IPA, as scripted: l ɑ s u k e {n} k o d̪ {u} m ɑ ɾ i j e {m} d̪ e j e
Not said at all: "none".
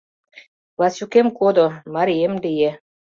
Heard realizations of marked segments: m, o, m

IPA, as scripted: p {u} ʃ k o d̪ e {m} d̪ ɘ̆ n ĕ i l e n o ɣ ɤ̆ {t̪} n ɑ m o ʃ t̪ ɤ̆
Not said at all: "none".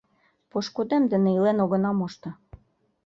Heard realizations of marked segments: o, m, none

